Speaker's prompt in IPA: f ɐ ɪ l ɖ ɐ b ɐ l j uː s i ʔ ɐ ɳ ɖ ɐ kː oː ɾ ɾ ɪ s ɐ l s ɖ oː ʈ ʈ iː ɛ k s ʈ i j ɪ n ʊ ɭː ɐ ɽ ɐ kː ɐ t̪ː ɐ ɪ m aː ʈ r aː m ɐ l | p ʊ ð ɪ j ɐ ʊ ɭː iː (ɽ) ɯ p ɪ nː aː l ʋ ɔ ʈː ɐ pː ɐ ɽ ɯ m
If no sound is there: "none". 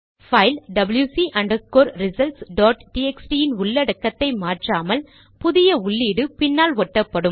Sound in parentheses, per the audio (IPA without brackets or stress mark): ɽ